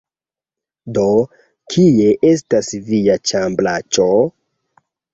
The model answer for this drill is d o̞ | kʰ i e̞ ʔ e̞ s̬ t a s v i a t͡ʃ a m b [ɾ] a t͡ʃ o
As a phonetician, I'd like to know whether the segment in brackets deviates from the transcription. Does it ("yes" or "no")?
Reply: yes